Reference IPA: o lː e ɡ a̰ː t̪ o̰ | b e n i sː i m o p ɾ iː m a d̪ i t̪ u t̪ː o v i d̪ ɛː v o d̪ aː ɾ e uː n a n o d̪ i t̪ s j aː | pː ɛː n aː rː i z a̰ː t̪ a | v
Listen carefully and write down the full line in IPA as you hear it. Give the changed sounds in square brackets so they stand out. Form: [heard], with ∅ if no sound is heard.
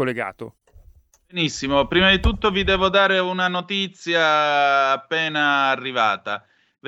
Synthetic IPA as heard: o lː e ɡ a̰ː t̪ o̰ | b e n i sː i m o p ɾ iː m a d̪ i t̪ u t̪ː o v i d̪ ɛː v o d̪ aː ɾ e [u] n a n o [t̪] i t̪ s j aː | pː ɛː n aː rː i [v] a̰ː t̪ a | v